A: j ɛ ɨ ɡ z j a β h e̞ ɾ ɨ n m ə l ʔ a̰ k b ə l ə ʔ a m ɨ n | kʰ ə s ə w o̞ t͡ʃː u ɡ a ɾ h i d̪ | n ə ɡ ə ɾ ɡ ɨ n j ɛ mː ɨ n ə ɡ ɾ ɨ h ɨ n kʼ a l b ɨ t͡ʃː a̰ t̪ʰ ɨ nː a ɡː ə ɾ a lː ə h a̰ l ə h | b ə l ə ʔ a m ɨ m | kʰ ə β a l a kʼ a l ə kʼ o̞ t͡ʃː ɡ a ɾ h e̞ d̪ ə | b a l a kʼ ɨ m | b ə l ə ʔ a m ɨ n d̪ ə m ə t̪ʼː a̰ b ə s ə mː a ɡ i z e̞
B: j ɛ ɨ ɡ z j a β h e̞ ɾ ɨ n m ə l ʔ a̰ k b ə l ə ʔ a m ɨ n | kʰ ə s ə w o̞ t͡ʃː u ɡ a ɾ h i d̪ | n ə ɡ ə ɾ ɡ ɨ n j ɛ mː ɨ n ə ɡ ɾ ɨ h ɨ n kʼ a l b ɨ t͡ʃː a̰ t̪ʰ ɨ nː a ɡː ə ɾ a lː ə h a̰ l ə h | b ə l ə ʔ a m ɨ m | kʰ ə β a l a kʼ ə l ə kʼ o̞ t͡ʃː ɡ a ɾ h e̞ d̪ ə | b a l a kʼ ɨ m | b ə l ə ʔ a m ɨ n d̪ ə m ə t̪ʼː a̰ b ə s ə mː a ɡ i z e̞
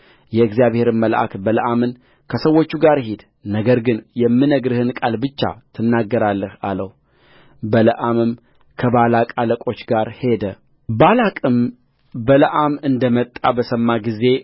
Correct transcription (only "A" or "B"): A